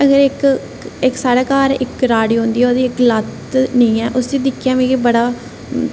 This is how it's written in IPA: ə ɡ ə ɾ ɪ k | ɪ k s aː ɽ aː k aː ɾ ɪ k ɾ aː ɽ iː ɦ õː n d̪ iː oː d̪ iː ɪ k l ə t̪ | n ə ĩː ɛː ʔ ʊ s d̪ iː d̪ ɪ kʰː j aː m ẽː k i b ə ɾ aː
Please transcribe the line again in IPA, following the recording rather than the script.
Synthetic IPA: ə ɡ ə ɾ ɪ k | ɪ k s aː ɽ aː k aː ɾ ɪ k ɾ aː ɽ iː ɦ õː n d̪ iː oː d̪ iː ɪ k l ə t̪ | n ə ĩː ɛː ʔ ʊ s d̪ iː d̪ ɪ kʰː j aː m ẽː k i b ə ɽ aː